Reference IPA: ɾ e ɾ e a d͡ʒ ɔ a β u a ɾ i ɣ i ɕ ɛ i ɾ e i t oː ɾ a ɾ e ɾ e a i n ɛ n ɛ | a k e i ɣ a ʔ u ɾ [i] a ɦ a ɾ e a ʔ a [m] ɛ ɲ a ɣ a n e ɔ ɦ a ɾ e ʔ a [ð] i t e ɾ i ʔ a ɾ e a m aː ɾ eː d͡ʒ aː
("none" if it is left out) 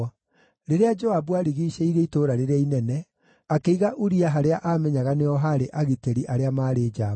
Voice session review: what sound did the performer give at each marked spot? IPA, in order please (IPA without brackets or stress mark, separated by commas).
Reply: i, m, ɣ